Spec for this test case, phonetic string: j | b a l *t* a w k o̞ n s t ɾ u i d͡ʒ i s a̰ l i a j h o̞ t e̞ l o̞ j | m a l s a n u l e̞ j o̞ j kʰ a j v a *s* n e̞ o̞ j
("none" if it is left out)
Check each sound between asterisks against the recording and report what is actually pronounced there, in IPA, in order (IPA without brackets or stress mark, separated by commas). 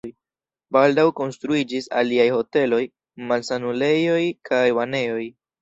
d, none